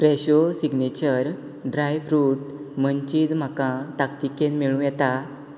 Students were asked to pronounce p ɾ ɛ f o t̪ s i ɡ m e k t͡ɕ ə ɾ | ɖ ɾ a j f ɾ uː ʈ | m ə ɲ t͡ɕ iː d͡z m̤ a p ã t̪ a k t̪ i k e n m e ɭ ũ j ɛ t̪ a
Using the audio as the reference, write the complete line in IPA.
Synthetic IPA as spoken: p ɾ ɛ ɕ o s i ɡ n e t͡ɕ ə ɾ | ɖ ɾ a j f ɾ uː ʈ | m ə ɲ t͡ɕ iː d͡z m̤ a k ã t̪ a k t̪ i k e n m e ɭ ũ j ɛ t̪ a